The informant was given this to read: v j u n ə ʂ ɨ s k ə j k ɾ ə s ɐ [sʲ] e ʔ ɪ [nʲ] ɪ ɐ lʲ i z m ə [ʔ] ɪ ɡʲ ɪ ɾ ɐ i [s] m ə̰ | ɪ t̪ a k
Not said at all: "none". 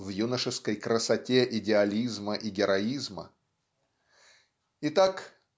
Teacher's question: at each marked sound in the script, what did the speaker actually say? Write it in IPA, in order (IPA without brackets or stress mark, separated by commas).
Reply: tʲ, dʲ, ʔ, z